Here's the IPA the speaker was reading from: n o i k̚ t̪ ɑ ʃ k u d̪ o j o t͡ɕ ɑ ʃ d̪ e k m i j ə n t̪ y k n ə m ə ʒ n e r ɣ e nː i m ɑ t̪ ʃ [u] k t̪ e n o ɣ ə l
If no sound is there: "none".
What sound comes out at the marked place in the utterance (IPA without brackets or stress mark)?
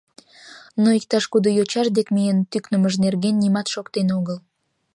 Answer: o